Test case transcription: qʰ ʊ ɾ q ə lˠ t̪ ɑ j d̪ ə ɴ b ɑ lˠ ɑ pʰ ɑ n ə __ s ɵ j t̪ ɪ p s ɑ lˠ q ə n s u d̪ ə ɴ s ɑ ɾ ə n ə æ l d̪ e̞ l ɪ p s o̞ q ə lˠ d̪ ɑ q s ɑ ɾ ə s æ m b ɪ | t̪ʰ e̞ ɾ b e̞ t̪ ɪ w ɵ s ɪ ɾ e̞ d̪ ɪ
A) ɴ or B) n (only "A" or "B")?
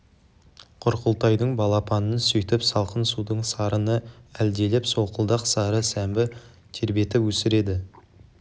B